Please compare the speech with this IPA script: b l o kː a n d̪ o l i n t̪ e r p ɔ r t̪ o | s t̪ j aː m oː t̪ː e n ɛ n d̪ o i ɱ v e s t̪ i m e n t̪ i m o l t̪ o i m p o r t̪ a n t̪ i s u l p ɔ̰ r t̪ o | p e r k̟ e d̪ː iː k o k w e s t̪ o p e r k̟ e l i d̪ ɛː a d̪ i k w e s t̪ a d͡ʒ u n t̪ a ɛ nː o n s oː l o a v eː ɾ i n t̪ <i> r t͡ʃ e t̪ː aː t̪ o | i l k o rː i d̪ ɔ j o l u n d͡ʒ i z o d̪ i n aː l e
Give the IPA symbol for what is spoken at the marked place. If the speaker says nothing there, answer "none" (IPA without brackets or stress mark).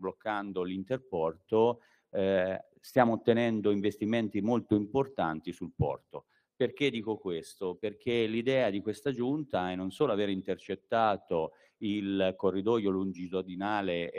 e